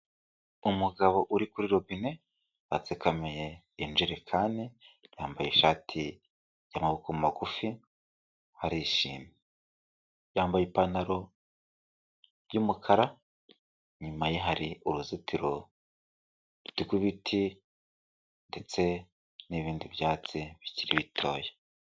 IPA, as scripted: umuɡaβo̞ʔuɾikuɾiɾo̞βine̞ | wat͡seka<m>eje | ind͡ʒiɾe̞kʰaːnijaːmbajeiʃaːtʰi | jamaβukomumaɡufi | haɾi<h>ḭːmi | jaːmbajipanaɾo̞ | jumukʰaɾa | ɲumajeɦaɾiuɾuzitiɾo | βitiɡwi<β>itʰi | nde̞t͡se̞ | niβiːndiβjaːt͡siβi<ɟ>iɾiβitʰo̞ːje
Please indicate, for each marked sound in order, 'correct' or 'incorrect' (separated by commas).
correct, incorrect, correct, incorrect